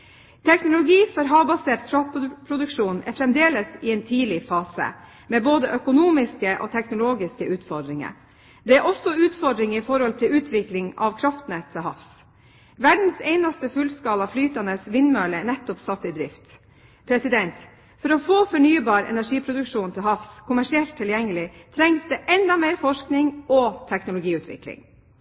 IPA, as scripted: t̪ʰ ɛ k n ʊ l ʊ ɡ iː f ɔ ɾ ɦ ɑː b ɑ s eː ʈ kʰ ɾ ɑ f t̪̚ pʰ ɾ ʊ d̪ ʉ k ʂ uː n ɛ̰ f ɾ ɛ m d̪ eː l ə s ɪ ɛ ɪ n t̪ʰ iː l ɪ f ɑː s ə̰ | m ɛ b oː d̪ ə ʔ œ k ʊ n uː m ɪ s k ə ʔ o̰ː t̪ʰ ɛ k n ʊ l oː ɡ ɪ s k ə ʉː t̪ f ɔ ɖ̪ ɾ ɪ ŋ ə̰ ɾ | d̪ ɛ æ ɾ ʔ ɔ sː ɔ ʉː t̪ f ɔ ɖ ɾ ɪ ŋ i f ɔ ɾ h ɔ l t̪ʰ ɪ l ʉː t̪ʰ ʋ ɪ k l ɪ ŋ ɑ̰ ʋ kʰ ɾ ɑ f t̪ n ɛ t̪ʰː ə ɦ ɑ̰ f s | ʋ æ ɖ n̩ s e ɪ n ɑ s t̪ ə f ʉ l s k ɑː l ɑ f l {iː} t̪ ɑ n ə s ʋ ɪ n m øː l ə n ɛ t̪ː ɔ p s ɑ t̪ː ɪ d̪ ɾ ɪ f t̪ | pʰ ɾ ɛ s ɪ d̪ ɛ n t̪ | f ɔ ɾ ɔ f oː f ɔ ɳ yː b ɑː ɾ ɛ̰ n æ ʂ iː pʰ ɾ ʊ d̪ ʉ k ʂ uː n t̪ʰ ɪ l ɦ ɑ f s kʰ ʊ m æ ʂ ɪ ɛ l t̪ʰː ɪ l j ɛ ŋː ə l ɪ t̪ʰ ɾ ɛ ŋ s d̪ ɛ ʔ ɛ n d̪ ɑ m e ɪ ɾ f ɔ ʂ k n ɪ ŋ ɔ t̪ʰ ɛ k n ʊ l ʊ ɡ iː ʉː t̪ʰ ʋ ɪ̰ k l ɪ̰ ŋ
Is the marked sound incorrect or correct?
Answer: incorrect: yː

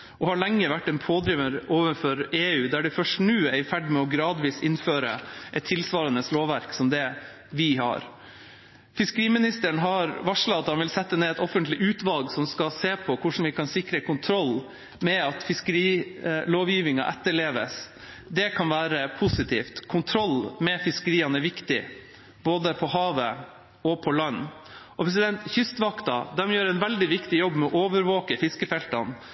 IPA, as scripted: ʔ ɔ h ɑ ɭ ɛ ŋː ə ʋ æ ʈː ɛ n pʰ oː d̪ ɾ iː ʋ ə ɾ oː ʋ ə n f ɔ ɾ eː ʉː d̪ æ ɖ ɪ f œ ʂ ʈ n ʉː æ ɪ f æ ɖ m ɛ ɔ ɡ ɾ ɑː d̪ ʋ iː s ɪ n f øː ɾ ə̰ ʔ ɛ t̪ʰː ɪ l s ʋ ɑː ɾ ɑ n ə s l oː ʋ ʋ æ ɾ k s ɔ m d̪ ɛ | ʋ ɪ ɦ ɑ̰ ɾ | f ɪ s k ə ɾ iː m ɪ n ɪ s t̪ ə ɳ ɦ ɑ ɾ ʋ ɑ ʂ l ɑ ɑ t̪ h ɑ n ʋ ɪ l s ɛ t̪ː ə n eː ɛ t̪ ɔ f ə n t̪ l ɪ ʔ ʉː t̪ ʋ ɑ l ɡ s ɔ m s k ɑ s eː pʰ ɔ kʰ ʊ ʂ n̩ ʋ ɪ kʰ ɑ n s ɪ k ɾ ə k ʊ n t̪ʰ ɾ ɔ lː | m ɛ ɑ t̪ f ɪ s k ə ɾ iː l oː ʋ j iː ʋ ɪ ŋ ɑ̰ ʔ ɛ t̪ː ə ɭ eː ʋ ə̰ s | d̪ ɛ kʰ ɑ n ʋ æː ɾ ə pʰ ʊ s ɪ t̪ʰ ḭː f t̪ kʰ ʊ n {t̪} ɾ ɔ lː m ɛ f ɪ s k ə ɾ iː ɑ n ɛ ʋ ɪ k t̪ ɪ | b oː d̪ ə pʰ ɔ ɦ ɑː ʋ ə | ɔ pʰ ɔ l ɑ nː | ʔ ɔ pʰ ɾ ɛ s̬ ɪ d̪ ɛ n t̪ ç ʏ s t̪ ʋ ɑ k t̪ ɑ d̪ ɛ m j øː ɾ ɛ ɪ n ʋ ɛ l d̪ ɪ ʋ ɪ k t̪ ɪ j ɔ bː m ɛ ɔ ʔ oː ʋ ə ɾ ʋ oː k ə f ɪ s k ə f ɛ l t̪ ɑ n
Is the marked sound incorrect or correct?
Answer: incorrect: t̪ʰ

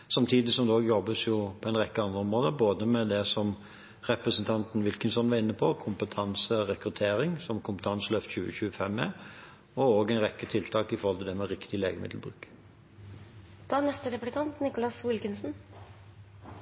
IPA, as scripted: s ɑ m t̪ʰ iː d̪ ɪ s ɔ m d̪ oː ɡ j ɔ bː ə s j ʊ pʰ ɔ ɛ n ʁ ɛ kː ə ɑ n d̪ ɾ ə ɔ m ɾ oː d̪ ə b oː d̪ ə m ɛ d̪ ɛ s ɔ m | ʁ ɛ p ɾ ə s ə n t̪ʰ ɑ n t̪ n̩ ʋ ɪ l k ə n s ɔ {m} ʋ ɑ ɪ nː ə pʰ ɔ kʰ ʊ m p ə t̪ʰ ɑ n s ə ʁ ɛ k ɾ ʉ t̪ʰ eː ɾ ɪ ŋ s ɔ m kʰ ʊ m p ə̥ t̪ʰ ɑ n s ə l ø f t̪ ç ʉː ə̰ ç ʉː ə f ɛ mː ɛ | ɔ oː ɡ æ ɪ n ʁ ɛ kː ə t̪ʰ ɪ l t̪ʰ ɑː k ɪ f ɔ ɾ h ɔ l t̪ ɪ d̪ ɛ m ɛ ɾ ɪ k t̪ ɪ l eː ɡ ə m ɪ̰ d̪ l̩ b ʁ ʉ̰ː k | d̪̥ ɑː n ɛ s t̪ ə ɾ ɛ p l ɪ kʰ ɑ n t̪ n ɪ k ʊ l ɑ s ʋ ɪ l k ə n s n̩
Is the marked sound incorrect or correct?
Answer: incorrect: n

